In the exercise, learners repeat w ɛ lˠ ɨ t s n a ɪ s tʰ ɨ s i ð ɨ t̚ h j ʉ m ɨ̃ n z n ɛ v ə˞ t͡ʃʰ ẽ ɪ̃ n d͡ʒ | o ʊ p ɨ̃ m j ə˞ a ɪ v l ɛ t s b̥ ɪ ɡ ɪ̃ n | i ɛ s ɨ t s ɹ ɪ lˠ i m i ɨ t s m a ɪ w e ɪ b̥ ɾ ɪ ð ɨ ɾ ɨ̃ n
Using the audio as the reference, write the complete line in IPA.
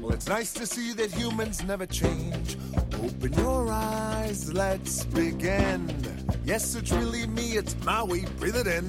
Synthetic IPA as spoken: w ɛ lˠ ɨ t s n a ɪ s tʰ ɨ s i ð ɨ t̚ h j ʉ m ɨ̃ n z n ɛ v ə˞ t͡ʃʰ ẽ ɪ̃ n d͡ʒ | o ʊ p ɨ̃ n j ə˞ a ɪ z l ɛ t s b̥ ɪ ɡ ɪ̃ n | j ɛ s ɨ t s ɹ ɪ lˠ i m i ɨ t s m a ɪ w e ɪ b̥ ɹ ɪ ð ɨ ɾ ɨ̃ n